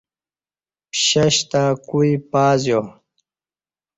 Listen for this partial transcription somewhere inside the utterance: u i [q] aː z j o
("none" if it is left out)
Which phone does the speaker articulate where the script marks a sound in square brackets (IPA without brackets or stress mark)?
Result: p